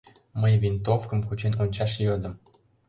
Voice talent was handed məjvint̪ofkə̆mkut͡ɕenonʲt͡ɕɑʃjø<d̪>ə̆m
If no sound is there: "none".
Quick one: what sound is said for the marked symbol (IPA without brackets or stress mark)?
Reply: d̪